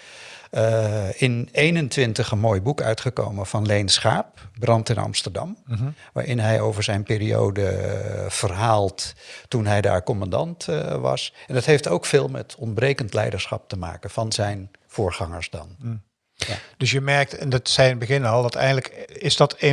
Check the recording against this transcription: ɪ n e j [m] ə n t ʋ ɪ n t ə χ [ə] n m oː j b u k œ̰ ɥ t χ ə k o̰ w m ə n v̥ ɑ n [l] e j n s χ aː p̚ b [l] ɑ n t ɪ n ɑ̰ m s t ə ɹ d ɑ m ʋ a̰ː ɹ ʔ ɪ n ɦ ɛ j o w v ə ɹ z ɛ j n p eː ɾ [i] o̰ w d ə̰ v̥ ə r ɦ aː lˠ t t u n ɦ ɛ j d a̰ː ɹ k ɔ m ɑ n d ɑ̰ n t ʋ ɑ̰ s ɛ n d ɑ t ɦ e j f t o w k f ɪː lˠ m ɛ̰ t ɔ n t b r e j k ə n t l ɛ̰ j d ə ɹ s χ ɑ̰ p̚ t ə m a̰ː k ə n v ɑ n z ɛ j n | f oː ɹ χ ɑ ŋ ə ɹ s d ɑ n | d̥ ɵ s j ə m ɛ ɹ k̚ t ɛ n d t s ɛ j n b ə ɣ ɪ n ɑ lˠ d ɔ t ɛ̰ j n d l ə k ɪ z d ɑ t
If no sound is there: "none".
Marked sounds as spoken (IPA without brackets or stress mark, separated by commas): n, ə, l, r, i